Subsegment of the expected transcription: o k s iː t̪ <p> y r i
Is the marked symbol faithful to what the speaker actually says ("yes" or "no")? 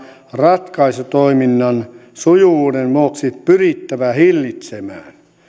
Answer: yes